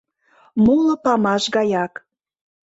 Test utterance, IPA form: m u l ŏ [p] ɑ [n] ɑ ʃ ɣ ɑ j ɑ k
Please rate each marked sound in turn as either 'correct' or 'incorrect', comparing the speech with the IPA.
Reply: correct, incorrect: m

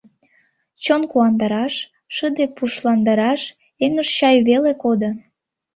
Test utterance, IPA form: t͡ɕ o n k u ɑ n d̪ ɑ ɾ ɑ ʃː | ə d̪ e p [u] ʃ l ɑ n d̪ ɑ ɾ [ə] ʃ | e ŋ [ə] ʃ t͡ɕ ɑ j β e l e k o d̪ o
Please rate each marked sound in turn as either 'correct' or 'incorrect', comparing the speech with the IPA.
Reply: correct, incorrect: ɑ, correct

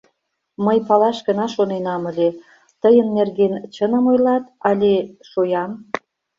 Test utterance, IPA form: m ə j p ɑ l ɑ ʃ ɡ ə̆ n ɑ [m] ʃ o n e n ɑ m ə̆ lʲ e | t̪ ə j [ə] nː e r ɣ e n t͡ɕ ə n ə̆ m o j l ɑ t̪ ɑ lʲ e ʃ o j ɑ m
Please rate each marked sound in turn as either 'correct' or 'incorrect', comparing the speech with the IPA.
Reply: incorrect: none, correct

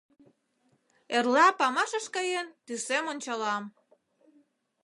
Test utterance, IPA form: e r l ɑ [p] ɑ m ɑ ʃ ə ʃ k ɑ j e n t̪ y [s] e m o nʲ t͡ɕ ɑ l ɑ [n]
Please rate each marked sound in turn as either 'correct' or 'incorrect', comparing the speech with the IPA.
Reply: correct, correct, incorrect: m

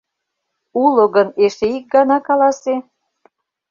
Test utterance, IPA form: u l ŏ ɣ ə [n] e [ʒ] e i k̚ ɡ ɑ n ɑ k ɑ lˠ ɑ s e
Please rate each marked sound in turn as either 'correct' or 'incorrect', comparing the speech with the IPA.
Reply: correct, incorrect: ʃ

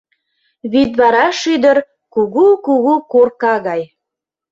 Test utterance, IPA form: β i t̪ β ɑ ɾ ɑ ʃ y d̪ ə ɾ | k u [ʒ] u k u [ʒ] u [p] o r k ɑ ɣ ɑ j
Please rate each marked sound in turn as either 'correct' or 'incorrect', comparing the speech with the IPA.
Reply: incorrect: ɣ, incorrect: ɣ, incorrect: k

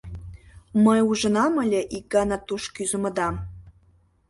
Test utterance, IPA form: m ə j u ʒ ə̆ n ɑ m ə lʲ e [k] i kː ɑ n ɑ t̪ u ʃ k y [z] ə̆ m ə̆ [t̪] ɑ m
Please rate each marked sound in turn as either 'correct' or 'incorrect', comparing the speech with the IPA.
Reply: incorrect: ʔ, correct, incorrect: d̪

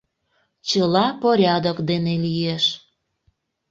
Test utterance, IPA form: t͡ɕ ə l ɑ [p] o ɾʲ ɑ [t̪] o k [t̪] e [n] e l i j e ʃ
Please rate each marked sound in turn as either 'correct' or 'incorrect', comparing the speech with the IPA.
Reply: correct, incorrect: d̪, incorrect: d̪, correct

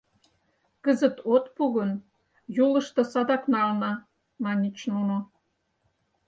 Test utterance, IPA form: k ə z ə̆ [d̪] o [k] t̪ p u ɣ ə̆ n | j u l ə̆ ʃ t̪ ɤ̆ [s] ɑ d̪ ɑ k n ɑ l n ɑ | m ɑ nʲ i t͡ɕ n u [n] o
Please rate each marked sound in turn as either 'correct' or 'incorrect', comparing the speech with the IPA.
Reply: incorrect: t̪, incorrect: none, correct, correct

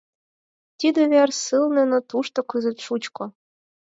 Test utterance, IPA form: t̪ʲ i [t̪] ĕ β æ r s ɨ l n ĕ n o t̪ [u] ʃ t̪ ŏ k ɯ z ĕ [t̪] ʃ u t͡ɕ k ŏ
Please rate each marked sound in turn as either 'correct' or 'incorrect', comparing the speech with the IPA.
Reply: incorrect: d̪, correct, correct

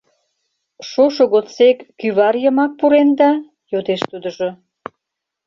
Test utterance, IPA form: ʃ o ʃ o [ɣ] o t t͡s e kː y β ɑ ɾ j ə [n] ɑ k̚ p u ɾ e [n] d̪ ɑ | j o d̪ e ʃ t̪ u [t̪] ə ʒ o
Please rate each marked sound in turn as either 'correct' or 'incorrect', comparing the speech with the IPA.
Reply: correct, incorrect: m, correct, incorrect: d̪

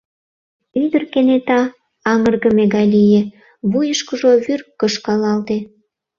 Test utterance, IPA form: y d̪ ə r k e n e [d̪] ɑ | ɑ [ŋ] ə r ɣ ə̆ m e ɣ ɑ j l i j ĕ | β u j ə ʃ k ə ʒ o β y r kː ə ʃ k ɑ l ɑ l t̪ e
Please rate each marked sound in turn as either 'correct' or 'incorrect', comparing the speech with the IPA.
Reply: incorrect: t̪, correct

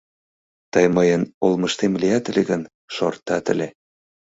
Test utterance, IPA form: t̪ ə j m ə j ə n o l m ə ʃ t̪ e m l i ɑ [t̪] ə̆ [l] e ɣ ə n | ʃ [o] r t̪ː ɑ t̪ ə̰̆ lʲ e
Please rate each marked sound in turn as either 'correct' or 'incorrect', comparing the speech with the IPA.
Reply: correct, correct, correct

